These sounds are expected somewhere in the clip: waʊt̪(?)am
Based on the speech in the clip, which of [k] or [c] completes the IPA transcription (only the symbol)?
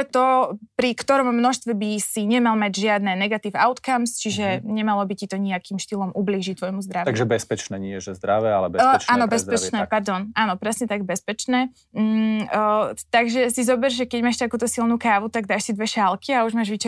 k